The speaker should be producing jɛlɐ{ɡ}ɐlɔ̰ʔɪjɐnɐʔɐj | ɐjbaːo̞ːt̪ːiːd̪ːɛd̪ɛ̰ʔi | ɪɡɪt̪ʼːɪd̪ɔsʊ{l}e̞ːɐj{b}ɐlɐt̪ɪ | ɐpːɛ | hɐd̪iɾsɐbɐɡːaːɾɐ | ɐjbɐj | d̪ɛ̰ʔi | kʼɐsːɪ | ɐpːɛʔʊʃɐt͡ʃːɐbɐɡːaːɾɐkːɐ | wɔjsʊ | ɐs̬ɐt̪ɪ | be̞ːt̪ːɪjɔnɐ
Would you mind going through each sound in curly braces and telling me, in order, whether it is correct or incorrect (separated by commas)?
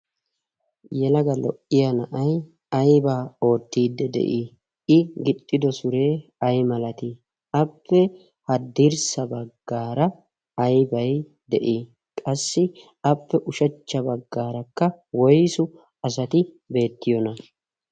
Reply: correct, incorrect, incorrect